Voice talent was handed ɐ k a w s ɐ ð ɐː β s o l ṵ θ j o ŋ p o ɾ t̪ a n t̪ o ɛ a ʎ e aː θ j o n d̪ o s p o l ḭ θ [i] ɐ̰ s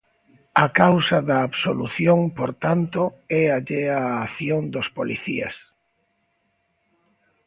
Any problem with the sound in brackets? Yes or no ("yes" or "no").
no